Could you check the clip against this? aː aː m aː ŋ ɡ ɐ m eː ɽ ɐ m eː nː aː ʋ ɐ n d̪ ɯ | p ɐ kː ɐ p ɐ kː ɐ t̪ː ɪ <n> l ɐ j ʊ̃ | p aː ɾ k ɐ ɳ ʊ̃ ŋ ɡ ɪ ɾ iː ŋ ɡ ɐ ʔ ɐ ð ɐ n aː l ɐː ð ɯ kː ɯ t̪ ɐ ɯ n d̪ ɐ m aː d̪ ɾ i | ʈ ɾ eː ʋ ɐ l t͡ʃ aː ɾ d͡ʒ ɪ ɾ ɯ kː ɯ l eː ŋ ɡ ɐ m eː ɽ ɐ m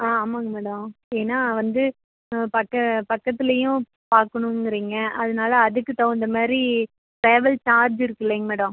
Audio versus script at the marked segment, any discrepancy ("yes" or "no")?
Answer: yes